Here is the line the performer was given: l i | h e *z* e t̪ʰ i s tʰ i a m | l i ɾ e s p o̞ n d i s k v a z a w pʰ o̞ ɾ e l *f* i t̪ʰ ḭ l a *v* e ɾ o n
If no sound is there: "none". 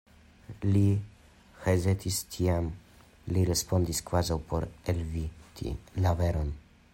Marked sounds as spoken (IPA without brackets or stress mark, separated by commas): z, v, v